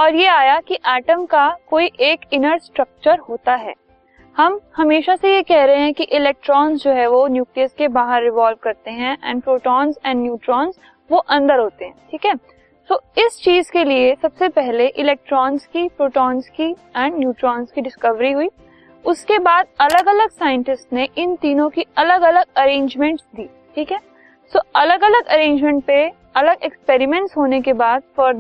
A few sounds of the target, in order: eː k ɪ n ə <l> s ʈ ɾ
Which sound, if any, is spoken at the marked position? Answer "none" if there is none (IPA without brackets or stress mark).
ɾ